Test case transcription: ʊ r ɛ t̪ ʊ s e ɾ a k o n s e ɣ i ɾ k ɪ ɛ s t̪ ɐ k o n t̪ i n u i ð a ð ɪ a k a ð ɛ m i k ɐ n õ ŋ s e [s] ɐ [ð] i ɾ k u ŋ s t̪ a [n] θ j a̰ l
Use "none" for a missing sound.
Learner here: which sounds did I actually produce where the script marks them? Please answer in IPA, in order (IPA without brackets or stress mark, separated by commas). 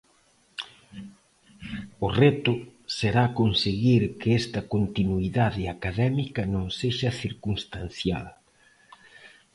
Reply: ʃ, θ, n